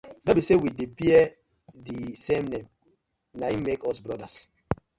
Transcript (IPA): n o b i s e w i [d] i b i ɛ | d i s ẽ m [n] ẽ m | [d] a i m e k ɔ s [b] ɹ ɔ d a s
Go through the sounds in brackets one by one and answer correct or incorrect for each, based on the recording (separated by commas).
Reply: correct, correct, incorrect, correct